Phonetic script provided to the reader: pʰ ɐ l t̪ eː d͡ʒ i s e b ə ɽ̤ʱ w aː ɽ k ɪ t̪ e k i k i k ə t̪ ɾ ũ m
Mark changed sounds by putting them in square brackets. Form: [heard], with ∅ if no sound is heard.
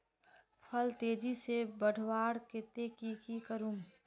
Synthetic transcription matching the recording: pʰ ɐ l t̪ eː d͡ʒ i s e b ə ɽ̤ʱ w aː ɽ k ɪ t̪ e k i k i k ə [∅] ɾ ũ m